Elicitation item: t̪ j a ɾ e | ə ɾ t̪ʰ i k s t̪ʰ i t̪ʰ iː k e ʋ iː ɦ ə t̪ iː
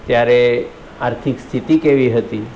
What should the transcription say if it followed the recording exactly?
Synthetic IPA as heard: t̪ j a ɾ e | a ɾ t̪ʰ i k s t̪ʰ i t̪ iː k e ʋ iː ɦ ə t̪ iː